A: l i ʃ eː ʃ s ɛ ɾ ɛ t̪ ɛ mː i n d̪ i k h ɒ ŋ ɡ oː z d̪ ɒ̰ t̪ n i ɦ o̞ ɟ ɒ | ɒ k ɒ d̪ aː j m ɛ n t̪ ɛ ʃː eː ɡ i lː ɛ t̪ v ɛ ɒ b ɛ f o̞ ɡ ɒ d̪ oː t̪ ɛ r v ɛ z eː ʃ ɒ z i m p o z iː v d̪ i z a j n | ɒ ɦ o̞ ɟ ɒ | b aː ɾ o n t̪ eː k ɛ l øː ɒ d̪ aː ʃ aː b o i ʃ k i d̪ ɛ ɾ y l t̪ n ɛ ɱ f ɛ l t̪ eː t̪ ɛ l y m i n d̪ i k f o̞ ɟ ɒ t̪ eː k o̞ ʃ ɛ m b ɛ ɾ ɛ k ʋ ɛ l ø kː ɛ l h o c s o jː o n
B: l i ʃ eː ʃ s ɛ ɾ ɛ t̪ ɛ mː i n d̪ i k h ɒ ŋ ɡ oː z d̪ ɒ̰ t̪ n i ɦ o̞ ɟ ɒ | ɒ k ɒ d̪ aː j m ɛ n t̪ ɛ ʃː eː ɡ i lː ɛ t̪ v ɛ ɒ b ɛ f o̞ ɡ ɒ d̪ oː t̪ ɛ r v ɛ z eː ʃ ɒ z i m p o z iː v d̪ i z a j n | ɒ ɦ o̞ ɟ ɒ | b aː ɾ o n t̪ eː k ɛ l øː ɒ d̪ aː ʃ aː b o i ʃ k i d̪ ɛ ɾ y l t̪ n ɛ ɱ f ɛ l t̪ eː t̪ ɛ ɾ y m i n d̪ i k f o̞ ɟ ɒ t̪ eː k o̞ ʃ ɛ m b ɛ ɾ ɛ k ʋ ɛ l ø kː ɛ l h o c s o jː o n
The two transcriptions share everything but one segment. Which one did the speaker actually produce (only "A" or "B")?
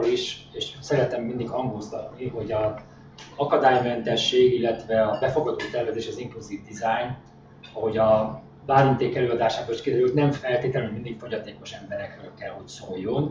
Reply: A